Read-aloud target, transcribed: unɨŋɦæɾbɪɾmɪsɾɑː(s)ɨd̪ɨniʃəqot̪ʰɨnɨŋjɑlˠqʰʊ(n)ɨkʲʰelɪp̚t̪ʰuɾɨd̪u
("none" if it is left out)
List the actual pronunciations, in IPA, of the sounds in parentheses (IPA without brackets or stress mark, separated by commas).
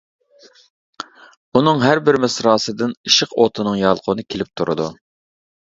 s, n